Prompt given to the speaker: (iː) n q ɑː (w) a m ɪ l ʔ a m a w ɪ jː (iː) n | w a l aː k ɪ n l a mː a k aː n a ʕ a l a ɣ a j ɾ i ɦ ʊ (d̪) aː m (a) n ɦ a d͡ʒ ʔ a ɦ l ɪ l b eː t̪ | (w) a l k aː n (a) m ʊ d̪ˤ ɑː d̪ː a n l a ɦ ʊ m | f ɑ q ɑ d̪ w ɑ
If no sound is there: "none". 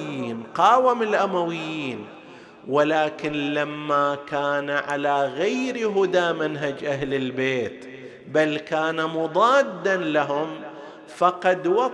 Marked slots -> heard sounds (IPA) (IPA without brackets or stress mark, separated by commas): iː, w, iː, d̪, a, b, a